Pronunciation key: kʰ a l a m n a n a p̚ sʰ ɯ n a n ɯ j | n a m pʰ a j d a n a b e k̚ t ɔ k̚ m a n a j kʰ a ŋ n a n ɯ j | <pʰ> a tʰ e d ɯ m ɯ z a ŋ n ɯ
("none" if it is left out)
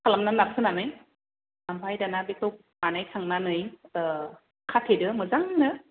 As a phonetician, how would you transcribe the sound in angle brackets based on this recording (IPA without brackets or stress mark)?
kʰ